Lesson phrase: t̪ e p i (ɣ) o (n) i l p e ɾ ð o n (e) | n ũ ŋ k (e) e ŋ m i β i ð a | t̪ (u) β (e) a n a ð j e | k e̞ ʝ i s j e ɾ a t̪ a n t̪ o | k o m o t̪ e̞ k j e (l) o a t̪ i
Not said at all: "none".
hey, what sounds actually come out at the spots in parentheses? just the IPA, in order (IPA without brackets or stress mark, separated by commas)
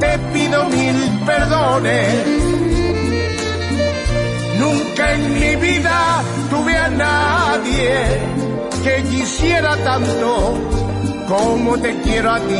ð, m, e, a, u, e, ɾ